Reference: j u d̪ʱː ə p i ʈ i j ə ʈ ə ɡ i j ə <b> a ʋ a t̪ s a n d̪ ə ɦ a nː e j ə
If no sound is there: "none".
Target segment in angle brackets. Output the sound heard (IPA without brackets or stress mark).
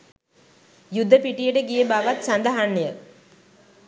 b